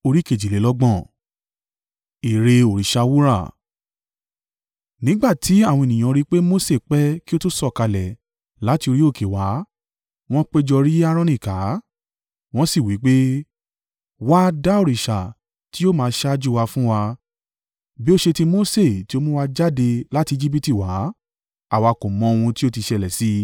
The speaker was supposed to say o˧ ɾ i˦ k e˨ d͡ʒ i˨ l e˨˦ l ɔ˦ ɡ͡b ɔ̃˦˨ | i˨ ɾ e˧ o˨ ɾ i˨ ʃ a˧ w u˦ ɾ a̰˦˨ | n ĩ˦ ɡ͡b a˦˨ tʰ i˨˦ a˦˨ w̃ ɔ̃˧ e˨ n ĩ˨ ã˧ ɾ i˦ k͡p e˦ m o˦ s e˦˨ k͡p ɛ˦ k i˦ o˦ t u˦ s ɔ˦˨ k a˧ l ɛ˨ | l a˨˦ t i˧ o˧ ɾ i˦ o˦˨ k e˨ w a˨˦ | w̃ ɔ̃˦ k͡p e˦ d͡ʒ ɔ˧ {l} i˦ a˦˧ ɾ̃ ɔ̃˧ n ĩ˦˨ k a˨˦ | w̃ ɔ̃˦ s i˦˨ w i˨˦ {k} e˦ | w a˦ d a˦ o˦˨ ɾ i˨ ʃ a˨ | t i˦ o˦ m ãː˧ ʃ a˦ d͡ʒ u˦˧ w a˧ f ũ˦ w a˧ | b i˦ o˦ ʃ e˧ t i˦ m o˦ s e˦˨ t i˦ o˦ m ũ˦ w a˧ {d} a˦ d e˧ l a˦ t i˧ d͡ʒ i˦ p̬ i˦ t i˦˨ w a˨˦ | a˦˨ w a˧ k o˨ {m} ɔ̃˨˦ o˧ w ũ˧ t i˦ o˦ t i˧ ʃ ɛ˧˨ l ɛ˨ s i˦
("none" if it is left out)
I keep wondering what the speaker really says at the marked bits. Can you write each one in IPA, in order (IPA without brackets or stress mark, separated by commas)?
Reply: ɾ, k͡p, d͡ʒ, m